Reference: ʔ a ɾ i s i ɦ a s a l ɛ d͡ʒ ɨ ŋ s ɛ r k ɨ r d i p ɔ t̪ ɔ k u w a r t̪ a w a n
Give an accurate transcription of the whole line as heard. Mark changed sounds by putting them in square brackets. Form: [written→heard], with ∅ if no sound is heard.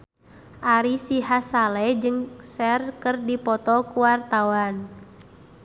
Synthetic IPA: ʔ a ɾ i s i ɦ a s a l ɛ d͡ʒ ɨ ŋ s ɛ r k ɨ r d i p ɔ t̪ ɔ k u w a r t̪ a w a n